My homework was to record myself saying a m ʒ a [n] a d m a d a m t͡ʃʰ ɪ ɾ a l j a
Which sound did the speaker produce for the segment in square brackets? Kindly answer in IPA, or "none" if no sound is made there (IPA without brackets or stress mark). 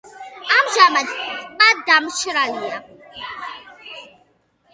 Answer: m